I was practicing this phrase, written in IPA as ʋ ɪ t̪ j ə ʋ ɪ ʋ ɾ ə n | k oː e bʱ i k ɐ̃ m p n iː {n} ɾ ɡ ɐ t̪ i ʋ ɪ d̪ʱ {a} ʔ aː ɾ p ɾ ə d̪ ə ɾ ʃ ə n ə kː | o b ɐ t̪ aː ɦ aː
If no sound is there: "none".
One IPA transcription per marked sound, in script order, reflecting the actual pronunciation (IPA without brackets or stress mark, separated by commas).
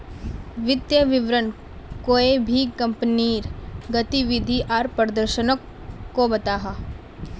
none, i